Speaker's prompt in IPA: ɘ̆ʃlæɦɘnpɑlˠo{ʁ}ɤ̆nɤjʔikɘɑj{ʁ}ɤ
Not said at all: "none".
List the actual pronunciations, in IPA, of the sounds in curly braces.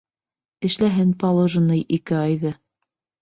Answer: ʒ, ð

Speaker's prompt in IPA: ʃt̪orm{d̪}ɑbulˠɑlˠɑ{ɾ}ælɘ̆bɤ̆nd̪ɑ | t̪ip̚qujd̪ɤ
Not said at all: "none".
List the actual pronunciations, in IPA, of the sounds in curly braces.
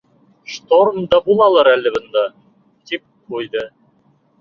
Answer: d̪, ɾ

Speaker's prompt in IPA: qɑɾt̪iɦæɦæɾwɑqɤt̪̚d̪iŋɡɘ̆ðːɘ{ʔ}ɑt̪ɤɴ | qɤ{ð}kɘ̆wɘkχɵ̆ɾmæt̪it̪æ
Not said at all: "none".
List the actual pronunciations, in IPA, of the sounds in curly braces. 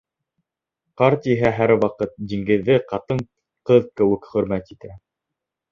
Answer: q, ð

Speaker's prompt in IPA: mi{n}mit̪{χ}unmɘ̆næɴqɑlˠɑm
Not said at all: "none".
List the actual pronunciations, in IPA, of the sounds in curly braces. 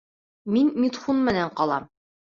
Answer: n, χ

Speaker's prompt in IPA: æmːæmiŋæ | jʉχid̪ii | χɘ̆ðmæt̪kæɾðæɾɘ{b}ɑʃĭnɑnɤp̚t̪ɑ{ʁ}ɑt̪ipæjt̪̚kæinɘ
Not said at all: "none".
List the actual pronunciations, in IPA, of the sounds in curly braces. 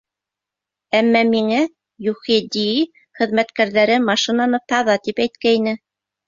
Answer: m, ð

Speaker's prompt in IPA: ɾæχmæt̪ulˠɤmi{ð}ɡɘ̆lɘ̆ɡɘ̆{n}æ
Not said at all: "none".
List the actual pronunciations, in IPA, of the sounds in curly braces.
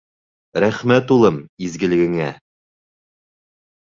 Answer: z, ŋ

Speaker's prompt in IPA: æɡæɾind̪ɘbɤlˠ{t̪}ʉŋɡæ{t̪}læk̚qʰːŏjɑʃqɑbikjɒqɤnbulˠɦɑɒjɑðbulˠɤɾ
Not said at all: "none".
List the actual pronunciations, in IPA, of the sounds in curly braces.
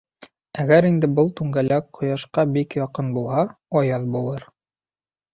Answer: t̪, none

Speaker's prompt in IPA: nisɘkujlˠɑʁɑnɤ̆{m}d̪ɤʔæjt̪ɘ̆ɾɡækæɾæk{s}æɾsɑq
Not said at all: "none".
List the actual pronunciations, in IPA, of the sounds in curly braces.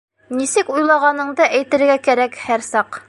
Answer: ɴ, h

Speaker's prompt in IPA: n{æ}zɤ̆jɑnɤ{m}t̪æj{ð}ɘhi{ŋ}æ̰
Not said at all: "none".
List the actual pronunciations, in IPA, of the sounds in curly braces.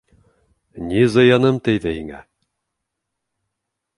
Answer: i, m, ð, ŋ

